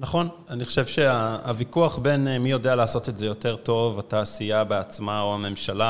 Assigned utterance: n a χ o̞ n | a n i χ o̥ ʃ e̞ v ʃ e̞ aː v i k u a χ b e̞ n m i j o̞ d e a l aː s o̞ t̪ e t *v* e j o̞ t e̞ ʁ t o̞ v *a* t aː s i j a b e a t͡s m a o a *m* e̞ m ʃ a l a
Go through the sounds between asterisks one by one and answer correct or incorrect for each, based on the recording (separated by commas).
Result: incorrect, correct, correct